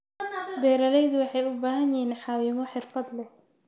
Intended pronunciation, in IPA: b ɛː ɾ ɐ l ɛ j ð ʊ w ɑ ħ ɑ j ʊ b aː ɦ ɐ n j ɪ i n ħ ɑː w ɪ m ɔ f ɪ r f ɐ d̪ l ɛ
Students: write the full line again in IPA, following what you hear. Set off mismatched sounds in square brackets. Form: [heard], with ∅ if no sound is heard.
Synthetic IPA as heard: b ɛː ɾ ɐ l ɛ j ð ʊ w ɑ ħ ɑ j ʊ b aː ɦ ɐ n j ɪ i n ħ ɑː w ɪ m ɔ [ħ] ɪ r f ɐ d̪ l ɛ